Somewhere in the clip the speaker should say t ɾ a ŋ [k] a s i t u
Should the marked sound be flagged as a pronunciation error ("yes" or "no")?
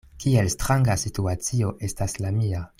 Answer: yes